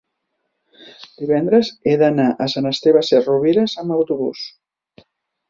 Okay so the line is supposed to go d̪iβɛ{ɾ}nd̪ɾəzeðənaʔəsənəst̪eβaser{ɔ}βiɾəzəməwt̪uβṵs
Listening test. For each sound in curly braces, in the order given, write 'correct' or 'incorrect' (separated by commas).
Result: incorrect, incorrect